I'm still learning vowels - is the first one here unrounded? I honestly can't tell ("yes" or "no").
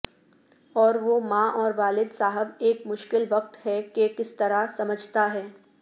no